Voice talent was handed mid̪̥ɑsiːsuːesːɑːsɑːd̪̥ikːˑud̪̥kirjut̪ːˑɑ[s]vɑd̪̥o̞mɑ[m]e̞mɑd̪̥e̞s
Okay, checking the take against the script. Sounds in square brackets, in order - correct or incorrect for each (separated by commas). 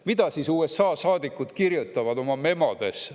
incorrect, correct